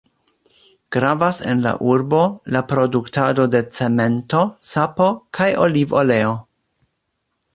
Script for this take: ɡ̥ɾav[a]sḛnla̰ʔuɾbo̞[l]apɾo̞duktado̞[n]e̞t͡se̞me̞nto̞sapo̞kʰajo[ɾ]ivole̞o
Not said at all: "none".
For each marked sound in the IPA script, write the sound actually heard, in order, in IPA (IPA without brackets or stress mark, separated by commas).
a, l, d, l